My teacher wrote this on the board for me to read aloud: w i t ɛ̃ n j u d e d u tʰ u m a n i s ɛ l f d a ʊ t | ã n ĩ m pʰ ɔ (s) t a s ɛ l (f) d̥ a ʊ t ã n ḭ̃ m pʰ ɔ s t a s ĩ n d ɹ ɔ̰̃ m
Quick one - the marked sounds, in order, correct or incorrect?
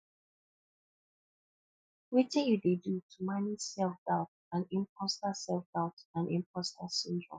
correct, correct

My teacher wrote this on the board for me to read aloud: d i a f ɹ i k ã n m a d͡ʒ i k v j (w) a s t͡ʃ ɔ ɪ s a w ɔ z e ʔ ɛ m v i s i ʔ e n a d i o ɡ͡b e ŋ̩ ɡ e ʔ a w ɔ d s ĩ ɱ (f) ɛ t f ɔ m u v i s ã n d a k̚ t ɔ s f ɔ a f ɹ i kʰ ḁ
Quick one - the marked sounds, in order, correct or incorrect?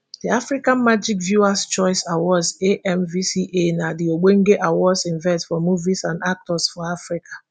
incorrect, incorrect

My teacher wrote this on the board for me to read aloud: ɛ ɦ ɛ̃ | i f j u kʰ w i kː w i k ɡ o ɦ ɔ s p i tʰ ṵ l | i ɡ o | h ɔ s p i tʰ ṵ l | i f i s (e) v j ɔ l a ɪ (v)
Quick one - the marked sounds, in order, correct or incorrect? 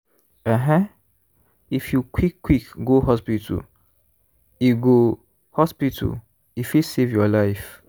correct, incorrect

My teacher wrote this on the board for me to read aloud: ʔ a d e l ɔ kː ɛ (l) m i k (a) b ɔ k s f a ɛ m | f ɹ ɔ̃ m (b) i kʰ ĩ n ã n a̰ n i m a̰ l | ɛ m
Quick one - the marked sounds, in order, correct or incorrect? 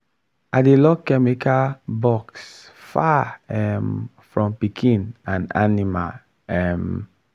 incorrect, correct, incorrect

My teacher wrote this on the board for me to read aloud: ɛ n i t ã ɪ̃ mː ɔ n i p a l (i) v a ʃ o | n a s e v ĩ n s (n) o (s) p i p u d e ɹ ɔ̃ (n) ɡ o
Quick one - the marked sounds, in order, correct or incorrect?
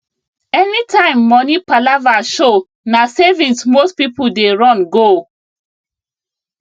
incorrect, incorrect, correct, correct

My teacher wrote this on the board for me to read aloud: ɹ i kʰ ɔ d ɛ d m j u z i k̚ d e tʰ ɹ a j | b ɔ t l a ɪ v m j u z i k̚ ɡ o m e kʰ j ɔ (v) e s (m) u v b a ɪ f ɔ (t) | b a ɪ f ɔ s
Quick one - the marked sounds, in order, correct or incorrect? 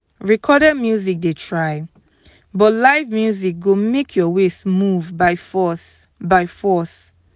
incorrect, correct, incorrect

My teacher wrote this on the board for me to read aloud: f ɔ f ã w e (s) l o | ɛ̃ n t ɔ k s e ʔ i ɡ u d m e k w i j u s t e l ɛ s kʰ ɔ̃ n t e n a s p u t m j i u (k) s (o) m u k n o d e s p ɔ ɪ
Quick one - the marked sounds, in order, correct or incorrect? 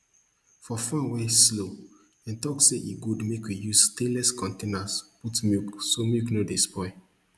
correct, correct, correct

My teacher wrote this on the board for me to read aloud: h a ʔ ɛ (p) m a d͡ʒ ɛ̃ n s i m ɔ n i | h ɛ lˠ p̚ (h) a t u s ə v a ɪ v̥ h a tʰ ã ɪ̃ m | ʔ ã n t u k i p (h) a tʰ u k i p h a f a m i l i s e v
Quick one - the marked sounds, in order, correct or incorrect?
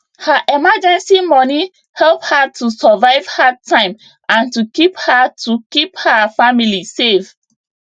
incorrect, correct, correct

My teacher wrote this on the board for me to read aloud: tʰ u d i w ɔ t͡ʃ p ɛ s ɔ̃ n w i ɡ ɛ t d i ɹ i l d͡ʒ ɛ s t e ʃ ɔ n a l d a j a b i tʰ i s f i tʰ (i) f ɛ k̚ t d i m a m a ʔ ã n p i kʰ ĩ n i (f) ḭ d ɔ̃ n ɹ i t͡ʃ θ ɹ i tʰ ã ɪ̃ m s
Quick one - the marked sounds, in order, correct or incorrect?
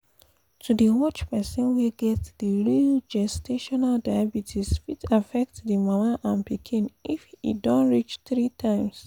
incorrect, correct

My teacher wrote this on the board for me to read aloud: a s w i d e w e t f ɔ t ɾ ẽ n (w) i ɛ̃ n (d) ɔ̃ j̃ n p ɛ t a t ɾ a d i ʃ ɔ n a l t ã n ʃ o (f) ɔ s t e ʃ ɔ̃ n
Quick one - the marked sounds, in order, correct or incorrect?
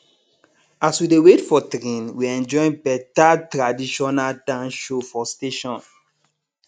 correct, incorrect, correct

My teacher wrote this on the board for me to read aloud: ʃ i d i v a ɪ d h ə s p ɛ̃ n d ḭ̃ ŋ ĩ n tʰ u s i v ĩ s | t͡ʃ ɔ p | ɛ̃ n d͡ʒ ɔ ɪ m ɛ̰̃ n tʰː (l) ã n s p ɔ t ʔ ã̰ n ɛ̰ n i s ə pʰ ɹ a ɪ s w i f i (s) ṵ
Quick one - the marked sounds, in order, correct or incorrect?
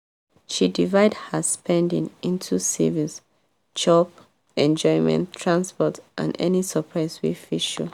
incorrect, incorrect

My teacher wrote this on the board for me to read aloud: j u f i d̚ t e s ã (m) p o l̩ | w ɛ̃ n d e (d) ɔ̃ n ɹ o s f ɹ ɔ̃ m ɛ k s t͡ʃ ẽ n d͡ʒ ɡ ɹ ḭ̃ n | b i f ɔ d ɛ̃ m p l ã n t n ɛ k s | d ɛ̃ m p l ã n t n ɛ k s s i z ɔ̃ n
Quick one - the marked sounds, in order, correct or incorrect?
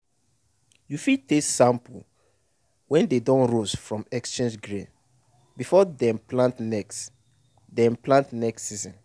correct, correct

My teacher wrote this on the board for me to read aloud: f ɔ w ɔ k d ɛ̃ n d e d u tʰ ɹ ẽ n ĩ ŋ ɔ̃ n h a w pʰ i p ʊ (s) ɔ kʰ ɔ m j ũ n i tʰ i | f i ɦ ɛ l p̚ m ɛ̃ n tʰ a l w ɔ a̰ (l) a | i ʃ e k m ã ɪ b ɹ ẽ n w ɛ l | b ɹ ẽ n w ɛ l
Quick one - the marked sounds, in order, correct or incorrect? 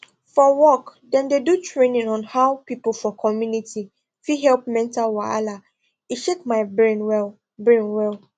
incorrect, correct

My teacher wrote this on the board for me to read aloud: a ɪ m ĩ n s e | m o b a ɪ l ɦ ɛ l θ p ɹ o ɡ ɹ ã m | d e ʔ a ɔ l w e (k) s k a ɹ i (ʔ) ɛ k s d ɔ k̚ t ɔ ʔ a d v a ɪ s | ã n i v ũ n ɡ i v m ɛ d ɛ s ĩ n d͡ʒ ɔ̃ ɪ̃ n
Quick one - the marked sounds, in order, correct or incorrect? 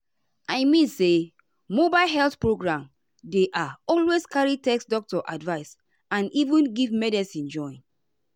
incorrect, incorrect

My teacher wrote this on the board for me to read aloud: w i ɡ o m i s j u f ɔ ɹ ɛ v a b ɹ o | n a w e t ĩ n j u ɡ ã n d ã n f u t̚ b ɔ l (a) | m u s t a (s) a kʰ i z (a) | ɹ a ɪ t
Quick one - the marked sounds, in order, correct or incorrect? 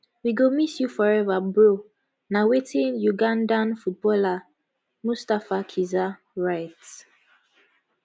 correct, incorrect, correct

